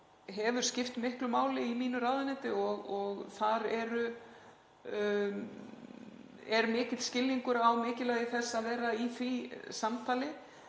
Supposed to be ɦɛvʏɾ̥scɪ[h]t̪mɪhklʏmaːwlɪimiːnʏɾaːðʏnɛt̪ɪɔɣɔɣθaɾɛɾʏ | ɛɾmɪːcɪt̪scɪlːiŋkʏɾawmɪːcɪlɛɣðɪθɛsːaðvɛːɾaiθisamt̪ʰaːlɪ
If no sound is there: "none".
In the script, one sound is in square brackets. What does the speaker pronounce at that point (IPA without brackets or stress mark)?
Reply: f